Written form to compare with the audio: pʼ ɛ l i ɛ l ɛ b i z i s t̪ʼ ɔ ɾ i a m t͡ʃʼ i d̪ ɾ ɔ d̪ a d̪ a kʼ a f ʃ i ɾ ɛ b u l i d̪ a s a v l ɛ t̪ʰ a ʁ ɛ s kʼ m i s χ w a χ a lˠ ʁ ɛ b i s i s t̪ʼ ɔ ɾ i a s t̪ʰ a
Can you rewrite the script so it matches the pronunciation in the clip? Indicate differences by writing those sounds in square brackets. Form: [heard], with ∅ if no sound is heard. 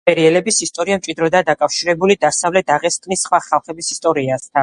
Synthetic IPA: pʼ ɛ [ɾ] i ɛ l ɛ b i [s] i s t̪ʼ ɔ ɾ i a m t͡ʃʼ i d̪ ɾ ɔ d̪ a d̪ a kʼ a f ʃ i ɾ ɛ b u l i d̪ a s a v l ɛ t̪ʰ a ʁ ɛ s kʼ [n] i s χ w a χ a lˠ [χ] ɛ b i s i s t̪ʼ ɔ ɾ i a s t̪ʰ a